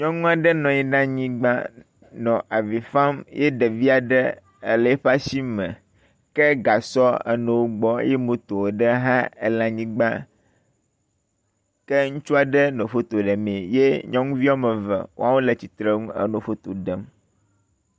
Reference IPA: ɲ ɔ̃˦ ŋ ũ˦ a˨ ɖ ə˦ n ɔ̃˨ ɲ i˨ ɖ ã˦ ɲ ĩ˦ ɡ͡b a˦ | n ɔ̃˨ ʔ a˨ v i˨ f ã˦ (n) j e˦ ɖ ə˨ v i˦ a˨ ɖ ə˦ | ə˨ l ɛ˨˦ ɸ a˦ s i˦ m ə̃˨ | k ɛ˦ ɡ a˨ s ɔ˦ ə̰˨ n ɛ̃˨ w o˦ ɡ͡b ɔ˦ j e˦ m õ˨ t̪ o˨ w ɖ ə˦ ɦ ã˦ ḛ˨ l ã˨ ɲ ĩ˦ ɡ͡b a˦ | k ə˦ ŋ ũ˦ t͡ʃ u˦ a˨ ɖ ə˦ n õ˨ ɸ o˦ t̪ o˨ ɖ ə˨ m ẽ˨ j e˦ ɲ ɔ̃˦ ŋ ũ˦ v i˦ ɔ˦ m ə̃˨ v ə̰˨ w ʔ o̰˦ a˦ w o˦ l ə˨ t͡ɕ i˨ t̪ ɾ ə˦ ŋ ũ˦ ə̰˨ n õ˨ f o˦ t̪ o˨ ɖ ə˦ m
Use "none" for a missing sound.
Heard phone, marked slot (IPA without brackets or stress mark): m